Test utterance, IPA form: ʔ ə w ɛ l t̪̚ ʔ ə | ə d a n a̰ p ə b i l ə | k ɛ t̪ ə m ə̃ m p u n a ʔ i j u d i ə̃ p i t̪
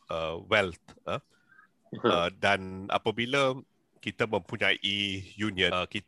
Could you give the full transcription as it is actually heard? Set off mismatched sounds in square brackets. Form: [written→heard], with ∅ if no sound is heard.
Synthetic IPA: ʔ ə w ɛ l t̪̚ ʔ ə | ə d a n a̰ p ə b i l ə | k [ɛ→i] t̪ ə m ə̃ m p u [n→ɲ] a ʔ i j u [d→n] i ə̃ [p→k] i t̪